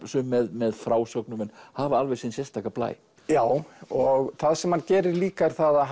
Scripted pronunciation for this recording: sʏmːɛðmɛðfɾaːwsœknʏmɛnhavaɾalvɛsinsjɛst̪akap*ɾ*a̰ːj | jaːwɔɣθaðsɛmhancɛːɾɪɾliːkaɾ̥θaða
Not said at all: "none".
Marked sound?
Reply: l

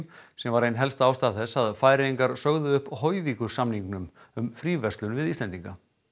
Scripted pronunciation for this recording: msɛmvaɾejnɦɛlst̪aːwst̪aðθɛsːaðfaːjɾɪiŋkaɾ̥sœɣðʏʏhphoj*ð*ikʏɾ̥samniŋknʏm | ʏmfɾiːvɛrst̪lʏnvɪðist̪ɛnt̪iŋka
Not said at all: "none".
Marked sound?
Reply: v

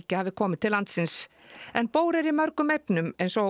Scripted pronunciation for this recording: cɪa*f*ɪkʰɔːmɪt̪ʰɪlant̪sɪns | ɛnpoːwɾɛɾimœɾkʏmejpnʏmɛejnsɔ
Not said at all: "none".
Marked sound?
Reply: v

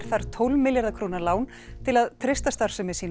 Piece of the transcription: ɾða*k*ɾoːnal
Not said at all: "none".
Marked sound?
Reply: kʰ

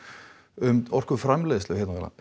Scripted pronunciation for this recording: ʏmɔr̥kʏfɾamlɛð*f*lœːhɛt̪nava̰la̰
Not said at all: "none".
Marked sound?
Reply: s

